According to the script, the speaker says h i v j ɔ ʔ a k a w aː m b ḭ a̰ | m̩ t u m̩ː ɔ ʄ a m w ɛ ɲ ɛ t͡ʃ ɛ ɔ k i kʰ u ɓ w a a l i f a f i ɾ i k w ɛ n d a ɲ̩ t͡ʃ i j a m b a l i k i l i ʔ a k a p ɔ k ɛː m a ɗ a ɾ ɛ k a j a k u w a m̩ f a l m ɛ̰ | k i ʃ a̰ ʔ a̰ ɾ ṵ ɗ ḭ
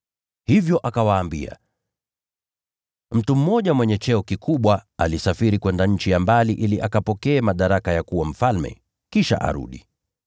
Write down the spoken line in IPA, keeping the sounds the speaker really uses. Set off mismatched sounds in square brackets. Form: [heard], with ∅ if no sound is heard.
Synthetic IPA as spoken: h i v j ɔ ʔ a k a w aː m b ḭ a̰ | m̩ t u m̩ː ɔ ʄ a m w ɛ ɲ ɛ t͡ʃ ɛ ɔ k i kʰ u ɓ w a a l i [s] a f i ɾ i k w ɛ n d a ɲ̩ t͡ʃ i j a m b a l i [ʔ] i l i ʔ a k a p ɔ k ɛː m a ɗ a ɾ [a] k a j a k u w a m̩ f a l m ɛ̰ | k i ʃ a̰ ʔ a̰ ɾ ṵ ɗ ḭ